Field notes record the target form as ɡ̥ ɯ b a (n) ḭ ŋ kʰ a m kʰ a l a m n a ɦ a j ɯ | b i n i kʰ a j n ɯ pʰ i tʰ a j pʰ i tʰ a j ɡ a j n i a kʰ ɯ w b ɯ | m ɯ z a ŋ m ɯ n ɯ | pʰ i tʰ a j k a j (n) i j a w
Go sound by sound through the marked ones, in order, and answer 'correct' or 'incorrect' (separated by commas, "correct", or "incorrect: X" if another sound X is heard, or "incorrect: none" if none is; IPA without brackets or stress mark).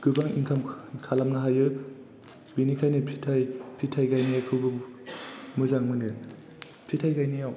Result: incorrect: ŋ, correct